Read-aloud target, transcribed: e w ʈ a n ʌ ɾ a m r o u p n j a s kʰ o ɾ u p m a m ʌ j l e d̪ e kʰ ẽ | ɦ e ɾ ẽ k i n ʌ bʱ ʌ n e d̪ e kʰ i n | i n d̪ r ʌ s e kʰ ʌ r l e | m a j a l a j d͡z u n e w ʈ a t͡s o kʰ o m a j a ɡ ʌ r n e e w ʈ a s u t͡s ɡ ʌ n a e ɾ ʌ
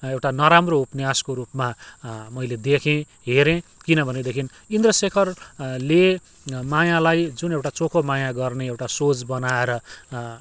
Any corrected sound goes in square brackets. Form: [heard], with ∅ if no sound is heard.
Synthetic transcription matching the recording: e w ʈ a n ʌ ɾ a m r o u p n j a s [k] o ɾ u p m a m ʌ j l e d̪ e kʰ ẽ | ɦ e ɾ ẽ k i n ʌ bʱ ʌ n e d̪ e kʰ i n | i n d̪ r ʌ s e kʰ ʌ r l e | m a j a l a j d͡z u n e w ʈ a t͡s o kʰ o m a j a ɡ ʌ r n e e w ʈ a s [o] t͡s [b] ʌ n a e ɾ ʌ